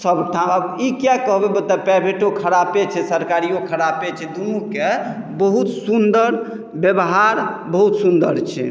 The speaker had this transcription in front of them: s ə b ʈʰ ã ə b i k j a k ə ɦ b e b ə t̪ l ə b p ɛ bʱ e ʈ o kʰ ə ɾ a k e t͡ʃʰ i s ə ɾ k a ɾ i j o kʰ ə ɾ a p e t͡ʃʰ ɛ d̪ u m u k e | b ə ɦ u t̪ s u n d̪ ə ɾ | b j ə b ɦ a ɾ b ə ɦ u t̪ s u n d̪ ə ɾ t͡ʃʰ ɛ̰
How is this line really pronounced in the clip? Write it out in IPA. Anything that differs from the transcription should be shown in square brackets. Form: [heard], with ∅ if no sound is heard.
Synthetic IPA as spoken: s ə b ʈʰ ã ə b i k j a k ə ɦ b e b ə t̪ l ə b p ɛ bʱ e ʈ o kʰ ə ɾ a [p] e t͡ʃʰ [ɛ] s ə ɾ k a ɾ i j o kʰ ə ɾ a p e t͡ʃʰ ɛ d̪ u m u k e | b ə ɦ u t̪ s u n d̪ ə ɾ | b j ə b ɦ a ɾ b ə ɦ u t̪ s u n d̪ ə ɾ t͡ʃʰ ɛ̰